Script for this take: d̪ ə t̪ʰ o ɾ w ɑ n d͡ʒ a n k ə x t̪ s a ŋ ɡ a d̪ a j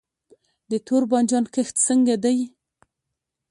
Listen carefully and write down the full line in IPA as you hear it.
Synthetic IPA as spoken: d̪ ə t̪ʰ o ɾ b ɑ n d͡ʒ ɑ n k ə x t̪ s ə ŋ ɡ a d̪ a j